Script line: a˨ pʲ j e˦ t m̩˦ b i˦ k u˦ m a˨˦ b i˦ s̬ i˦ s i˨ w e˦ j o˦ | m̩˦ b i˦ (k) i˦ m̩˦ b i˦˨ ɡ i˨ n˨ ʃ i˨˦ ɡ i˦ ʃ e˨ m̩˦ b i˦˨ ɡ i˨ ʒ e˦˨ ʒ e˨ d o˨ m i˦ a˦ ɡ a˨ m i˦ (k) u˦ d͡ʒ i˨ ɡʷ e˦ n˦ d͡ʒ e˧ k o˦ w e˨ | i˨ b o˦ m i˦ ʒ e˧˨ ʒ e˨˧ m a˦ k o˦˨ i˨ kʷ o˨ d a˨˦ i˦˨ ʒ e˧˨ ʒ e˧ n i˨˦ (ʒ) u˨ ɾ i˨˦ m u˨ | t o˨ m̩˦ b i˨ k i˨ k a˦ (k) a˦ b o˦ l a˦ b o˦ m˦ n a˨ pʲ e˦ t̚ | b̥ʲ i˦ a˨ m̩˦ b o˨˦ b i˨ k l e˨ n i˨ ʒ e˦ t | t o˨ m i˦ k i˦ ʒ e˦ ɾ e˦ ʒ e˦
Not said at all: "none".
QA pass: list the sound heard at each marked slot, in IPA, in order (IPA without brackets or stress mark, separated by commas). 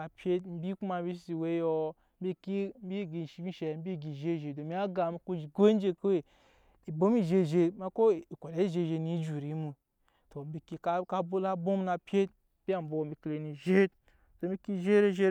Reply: k, k, d͡ʒ, k